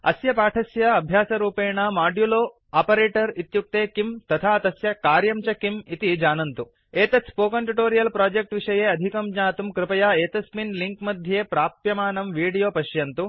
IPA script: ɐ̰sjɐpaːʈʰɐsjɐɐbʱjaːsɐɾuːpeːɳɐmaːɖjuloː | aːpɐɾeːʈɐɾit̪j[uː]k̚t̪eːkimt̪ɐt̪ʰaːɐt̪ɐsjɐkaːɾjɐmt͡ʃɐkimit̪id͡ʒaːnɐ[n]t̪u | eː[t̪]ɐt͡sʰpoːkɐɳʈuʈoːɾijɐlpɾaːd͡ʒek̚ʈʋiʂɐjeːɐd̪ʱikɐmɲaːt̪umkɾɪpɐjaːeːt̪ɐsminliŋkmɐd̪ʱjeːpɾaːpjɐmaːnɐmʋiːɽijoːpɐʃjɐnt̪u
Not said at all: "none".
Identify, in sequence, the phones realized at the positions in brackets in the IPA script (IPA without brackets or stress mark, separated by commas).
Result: u, n, t̪